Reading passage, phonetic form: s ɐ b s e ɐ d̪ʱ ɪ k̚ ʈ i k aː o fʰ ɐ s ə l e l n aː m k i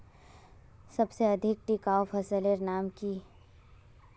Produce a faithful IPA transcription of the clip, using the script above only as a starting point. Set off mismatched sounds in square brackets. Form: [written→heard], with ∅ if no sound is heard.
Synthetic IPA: s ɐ b s e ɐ d̪ʱ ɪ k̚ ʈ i k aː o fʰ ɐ s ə l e [l→ɾ] n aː m k i